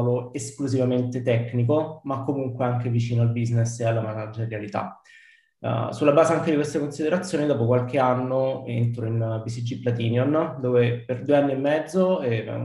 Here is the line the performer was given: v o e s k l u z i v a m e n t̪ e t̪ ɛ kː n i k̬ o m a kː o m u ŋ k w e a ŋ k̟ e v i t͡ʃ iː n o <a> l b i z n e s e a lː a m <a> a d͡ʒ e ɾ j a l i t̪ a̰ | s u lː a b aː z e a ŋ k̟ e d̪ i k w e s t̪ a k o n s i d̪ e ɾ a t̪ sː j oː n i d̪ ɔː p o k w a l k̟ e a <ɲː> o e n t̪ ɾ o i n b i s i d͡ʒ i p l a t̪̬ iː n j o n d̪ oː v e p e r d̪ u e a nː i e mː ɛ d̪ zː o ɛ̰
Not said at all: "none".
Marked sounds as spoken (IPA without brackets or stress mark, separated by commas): a, a, nː